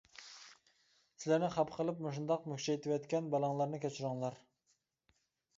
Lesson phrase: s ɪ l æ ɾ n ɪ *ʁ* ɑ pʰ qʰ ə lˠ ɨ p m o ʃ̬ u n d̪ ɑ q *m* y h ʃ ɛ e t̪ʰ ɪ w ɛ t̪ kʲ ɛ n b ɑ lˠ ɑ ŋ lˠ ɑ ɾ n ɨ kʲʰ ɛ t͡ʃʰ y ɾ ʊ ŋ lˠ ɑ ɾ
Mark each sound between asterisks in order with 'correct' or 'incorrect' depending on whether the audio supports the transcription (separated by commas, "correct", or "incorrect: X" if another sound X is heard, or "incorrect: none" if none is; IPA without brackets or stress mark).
incorrect: χ, correct